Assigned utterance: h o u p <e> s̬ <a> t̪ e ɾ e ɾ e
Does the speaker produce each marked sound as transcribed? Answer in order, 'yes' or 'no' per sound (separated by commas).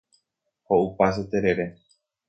no, no